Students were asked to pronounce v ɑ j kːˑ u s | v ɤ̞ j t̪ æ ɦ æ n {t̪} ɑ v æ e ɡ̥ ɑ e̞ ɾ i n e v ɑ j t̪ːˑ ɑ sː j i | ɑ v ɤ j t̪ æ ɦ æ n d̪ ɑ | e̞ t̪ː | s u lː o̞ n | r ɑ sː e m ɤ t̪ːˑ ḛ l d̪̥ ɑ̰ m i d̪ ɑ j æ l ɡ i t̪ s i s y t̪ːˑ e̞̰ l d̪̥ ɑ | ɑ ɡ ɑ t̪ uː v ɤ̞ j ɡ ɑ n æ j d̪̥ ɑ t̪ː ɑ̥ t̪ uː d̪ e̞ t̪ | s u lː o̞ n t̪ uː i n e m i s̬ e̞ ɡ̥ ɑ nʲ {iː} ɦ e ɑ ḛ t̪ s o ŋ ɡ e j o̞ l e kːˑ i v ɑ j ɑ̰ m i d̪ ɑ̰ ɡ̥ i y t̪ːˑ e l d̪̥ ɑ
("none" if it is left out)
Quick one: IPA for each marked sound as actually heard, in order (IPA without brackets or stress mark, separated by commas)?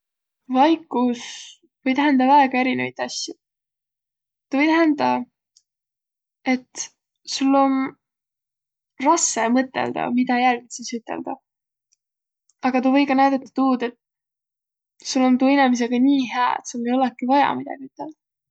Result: d̪, iː